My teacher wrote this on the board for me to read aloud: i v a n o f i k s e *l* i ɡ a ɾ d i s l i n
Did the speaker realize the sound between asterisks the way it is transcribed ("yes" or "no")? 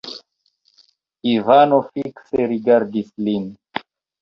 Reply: no